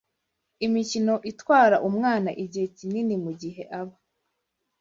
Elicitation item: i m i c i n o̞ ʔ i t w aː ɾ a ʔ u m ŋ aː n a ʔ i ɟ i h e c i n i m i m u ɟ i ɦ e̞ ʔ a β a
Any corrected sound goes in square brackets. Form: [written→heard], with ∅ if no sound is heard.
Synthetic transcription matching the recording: i m i c i n o̞ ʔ i t w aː ɾ a ʔ u m ŋ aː n a ʔ i ɟ i h e c i n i [m→n] i m u ɟ i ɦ e̞ ʔ a β a